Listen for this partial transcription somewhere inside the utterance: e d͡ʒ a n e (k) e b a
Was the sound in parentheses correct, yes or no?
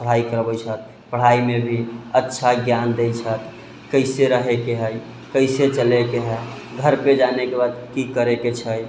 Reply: yes